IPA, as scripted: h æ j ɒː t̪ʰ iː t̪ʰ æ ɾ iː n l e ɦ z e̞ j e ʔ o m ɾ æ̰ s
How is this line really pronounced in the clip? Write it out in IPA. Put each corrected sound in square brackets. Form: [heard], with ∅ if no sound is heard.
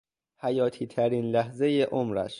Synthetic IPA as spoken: h æ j ɒː t̪ʰ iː t̪ʰ æ ɾ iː n l [æ] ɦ z e̞ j e ʔ o m ɾ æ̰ [ʃ]